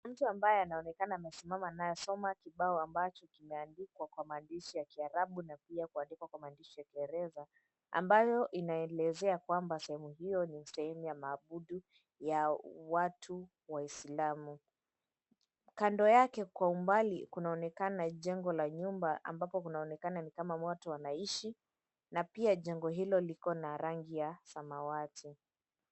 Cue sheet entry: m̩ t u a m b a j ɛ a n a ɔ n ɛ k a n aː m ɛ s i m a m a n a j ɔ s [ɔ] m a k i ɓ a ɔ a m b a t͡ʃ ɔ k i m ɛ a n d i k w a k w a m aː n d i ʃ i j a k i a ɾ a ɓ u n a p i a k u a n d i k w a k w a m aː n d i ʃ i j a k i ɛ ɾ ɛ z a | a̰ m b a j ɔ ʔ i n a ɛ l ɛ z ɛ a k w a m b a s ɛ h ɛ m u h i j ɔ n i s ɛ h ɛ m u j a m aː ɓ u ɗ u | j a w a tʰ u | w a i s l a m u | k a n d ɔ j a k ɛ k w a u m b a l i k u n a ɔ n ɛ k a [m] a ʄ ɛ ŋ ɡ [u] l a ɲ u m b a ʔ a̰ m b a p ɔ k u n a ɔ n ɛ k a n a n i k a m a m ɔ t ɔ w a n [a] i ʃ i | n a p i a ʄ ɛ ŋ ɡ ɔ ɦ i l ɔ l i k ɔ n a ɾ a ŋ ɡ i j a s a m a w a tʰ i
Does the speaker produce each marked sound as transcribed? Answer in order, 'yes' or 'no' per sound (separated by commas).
yes, no, no, yes